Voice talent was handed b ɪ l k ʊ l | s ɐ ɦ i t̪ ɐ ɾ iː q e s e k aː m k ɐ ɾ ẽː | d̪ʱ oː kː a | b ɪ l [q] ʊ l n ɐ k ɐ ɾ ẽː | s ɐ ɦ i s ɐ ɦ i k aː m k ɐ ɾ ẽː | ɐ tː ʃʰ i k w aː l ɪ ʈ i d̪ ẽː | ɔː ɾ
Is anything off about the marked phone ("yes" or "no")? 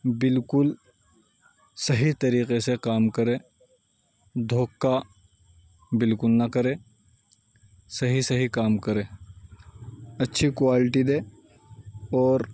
yes